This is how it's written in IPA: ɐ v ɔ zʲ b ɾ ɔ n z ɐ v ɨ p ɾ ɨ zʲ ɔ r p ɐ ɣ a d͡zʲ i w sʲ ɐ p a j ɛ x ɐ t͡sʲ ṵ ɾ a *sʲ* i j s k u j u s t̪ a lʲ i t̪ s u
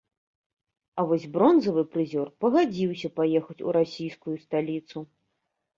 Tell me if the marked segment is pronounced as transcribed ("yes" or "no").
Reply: yes